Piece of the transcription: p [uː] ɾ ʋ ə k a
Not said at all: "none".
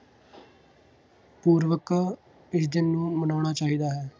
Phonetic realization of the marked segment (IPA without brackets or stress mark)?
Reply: uː